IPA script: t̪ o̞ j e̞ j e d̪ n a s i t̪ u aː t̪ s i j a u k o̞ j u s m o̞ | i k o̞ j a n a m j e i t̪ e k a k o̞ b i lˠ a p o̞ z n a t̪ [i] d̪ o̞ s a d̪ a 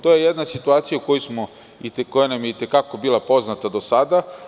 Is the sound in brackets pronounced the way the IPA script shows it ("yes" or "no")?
no